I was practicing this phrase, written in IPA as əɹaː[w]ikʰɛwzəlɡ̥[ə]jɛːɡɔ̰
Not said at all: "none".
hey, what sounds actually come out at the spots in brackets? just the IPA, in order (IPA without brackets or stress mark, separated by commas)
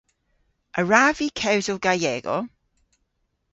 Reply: v, a